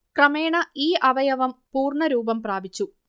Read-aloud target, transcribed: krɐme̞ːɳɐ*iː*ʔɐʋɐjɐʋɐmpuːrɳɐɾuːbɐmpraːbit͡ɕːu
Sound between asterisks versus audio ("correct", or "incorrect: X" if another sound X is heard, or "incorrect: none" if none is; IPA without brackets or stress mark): correct